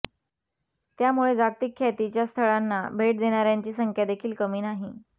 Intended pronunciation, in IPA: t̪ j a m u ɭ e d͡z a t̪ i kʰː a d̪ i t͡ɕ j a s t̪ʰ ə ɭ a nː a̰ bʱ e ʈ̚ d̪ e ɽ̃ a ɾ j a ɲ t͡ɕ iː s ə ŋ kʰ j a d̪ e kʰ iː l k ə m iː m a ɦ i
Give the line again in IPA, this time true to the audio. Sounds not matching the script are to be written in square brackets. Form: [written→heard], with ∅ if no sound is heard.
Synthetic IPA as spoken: t̪ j a m u ɭ e d͡z a t̪ i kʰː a [d̪→t̪] i t͡ɕ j a s t̪ʰ ə ɭ a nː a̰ bʱ e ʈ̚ d̪ e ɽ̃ a ɾ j a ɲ t͡ɕ iː s ə ŋ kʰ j a d̪ e kʰ iː l k ə m iː [m→n] a ɦ i